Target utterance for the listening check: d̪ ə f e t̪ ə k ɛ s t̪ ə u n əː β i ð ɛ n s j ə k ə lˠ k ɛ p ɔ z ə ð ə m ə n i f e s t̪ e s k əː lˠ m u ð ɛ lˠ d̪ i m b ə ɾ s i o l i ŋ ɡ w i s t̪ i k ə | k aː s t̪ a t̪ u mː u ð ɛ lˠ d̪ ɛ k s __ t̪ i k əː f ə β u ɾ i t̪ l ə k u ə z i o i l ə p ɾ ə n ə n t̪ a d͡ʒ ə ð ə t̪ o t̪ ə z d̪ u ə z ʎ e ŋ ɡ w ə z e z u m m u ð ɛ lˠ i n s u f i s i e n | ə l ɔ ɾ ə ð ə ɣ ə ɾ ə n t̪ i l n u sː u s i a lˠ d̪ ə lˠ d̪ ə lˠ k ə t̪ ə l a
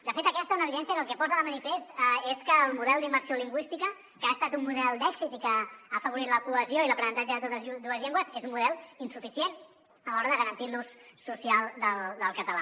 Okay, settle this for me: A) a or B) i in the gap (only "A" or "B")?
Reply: B